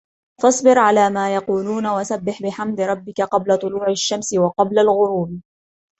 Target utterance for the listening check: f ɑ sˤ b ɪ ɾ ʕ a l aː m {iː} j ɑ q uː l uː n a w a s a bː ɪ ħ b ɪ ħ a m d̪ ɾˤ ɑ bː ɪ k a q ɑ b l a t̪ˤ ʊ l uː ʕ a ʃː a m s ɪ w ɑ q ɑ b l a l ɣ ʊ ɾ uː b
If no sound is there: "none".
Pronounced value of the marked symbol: aː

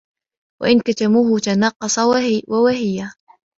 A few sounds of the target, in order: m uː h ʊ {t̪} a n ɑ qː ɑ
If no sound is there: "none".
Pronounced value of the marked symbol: t̪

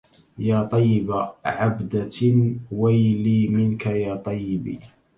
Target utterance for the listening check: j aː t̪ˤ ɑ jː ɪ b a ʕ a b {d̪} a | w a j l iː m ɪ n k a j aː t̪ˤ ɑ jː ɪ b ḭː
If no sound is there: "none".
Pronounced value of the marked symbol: d̪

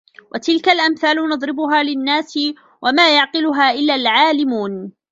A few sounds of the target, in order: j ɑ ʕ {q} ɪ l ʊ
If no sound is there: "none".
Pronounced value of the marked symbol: q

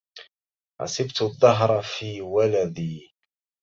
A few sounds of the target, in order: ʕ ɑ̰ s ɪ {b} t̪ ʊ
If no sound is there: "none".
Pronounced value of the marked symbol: b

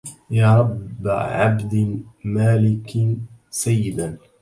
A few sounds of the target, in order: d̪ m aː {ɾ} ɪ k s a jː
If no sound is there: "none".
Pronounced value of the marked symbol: l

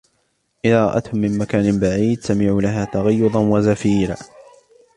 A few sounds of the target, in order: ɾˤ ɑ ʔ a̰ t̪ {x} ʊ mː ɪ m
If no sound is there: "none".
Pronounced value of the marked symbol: h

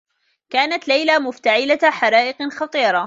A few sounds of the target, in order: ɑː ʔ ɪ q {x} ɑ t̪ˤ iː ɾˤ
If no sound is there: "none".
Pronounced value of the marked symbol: x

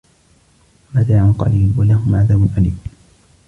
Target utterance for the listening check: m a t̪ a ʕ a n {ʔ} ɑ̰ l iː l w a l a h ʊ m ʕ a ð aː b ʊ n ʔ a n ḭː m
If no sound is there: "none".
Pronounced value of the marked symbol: q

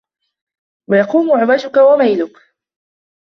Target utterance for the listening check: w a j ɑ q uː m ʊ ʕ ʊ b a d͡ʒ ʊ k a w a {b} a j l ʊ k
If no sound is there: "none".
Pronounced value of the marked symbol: m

